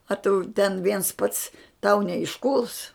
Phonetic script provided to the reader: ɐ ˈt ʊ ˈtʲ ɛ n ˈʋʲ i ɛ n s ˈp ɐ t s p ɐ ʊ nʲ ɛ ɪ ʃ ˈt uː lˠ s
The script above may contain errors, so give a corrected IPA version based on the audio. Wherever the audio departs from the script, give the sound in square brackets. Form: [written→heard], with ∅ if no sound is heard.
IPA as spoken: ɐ ˈt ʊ ˈtʲ ɛ n ˈʋʲ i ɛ n s ˈp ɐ t s [p→t] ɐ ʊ nʲ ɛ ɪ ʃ [ˈt→ˈk] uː lˠ s

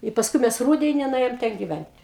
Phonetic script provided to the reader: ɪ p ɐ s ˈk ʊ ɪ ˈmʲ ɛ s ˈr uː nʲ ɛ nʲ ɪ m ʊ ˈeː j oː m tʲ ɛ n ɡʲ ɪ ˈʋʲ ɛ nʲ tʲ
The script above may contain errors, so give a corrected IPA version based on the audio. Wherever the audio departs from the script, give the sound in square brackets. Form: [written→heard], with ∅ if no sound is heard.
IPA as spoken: ɪ p ɐ s ˈk ʊ ɪ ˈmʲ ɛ s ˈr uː [nʲ→dʲ] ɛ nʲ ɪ [m→n] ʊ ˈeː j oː m tʲ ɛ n ɡʲ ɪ ˈʋʲ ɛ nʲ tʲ

